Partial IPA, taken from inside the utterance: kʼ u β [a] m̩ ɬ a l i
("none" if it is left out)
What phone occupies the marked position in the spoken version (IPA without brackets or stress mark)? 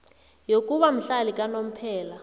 a